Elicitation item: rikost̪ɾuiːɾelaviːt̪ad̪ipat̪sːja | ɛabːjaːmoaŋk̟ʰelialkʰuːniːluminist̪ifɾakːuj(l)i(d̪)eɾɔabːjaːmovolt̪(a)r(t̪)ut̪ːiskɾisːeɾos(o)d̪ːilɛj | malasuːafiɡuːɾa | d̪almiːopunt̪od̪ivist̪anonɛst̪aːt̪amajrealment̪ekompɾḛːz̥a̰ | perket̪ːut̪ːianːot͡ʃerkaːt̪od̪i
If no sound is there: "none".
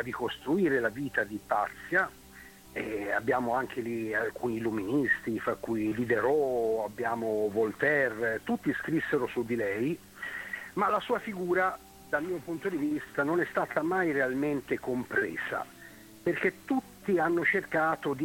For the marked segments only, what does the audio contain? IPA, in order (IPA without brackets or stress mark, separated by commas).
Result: l, d̪, ɛ, t̪, u